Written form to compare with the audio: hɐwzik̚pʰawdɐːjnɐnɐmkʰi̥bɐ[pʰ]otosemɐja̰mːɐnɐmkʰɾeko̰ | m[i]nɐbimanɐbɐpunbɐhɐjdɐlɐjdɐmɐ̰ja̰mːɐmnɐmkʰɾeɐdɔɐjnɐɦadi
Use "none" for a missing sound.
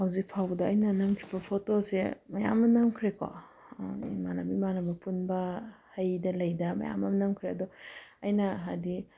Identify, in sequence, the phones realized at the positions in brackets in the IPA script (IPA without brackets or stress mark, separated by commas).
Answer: pʰ, a